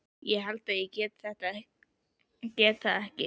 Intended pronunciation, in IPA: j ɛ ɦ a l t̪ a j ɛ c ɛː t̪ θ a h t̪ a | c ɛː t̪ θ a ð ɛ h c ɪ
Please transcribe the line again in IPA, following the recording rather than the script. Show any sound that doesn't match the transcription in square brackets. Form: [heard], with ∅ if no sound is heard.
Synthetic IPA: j ɛ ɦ a l t̪ a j ɛ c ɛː t̪ θ [ɛ] h t̪ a | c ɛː t̪ θ a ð ɛ h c ɪ